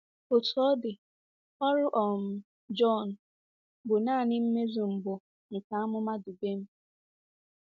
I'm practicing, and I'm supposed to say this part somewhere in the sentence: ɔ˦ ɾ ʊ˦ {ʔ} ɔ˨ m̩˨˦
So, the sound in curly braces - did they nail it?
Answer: yes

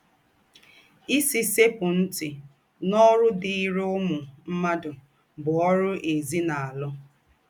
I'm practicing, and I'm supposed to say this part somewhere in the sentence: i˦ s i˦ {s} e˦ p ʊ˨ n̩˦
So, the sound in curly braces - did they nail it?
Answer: yes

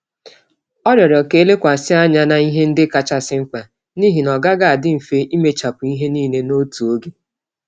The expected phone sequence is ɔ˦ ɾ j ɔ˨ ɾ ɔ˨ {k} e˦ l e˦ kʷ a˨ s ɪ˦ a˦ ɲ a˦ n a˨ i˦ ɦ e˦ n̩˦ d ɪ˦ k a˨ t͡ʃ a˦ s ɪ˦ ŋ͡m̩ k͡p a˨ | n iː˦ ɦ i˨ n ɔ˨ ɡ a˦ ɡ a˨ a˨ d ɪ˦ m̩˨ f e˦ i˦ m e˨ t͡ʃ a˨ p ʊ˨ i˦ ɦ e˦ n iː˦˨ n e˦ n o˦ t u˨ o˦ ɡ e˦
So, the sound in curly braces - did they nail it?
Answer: yes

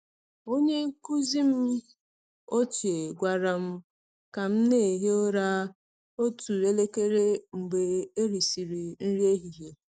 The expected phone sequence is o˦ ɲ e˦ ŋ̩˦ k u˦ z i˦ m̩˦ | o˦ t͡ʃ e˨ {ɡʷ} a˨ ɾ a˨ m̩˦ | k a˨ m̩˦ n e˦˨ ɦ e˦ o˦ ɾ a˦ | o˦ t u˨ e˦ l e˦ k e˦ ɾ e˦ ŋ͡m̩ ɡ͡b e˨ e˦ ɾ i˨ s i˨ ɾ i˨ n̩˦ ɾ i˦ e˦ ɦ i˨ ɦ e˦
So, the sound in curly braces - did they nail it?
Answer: yes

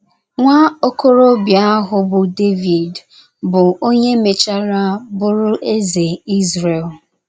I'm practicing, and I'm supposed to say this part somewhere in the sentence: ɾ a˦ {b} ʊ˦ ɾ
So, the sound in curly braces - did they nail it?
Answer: yes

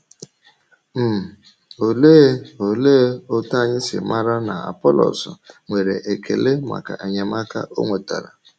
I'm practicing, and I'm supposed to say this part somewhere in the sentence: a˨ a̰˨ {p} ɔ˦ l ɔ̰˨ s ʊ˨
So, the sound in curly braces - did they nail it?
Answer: yes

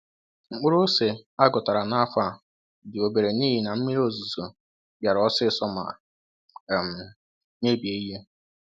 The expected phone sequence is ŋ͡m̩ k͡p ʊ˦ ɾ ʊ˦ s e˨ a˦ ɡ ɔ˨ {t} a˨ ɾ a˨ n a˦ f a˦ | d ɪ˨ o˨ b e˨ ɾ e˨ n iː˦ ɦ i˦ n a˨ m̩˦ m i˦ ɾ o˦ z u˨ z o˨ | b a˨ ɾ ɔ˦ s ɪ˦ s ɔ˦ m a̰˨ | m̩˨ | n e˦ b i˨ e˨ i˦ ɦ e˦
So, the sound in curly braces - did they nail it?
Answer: yes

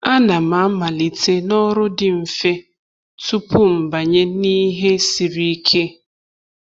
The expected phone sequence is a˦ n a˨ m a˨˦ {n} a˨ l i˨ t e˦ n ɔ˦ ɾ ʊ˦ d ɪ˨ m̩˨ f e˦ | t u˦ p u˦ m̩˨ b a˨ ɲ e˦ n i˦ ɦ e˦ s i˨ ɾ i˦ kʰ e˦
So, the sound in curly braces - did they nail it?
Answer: no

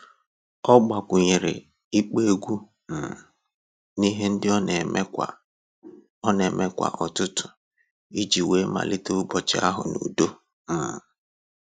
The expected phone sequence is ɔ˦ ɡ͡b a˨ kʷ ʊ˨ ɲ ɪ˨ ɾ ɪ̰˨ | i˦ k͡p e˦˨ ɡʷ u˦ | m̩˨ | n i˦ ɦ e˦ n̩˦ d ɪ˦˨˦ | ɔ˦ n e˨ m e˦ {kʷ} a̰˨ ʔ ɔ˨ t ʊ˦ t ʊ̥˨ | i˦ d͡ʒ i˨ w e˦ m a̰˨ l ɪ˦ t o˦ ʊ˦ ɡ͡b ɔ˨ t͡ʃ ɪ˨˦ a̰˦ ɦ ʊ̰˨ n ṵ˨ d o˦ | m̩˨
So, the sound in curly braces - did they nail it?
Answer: yes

